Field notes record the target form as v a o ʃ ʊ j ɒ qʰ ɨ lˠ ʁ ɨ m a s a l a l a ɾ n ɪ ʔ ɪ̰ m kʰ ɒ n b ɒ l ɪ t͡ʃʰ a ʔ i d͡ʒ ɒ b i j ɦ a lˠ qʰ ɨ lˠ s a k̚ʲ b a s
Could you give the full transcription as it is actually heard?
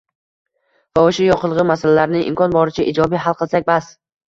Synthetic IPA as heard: v a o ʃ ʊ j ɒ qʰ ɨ lˠ ʁ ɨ m a s a l a l a ɾ n ɪ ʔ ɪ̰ m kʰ ɒ n b ɒ ɾ ɪ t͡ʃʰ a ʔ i d͡ʒ ɒ b i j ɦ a lˠ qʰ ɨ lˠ s a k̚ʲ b a s